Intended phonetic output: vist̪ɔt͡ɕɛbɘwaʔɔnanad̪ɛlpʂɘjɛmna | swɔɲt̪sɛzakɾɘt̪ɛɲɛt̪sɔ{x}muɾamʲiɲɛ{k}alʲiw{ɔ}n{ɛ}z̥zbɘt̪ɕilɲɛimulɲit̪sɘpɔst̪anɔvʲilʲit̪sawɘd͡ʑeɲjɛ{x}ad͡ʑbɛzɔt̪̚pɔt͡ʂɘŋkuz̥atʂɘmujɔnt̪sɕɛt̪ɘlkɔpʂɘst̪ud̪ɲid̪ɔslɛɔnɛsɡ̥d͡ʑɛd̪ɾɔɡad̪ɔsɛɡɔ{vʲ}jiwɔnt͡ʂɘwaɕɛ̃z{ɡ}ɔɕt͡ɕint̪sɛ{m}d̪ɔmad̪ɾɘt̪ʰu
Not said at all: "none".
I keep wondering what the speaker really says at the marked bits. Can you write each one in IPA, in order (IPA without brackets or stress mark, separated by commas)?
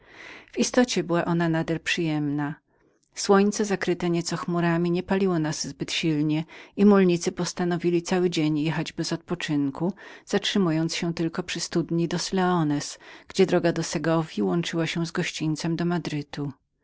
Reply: x, p, ɔ, a, x, vʲ, ɡ, m